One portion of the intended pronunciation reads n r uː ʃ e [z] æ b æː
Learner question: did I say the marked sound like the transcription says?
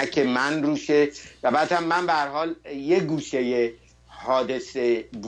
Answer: no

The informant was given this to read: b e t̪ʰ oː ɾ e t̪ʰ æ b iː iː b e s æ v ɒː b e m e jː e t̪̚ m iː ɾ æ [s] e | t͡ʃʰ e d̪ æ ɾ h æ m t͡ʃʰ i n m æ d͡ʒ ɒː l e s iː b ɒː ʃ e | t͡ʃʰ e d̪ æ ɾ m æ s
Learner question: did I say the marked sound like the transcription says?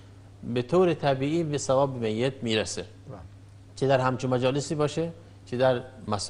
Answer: yes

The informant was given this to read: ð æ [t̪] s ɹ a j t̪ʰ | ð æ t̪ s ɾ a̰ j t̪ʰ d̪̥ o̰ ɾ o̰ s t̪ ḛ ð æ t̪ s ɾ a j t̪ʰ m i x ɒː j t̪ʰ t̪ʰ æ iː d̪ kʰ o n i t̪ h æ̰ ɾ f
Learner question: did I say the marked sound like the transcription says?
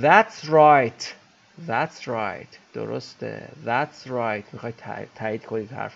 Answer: yes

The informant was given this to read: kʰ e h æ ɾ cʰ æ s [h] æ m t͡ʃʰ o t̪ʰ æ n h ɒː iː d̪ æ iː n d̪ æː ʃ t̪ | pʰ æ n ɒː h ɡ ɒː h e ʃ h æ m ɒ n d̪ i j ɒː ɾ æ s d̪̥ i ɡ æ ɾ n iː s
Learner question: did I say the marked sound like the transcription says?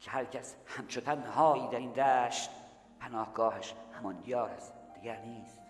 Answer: yes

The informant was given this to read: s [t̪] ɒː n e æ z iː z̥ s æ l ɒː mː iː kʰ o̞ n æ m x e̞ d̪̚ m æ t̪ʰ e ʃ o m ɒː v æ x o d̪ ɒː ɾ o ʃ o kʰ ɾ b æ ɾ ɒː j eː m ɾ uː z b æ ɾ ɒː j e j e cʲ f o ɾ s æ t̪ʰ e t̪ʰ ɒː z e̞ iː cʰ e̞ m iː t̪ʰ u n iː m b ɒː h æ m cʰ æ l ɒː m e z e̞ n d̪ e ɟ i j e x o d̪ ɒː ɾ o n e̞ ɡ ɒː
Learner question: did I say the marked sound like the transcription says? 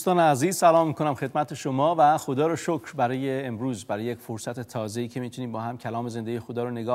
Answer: yes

